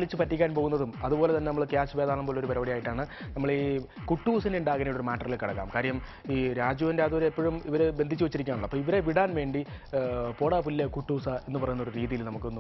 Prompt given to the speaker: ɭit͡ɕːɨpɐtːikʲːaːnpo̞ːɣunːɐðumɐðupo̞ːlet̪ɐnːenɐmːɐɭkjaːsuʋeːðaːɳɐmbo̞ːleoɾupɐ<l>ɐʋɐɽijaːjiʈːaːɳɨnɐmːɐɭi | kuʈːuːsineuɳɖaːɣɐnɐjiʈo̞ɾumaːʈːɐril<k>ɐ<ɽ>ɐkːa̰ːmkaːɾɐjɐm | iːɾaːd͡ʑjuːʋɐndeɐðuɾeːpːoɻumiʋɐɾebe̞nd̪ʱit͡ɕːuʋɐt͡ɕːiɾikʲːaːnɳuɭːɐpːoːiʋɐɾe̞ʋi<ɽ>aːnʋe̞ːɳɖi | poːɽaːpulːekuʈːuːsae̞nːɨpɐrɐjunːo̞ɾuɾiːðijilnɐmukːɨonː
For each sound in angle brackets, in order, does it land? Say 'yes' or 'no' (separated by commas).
no, yes, yes, yes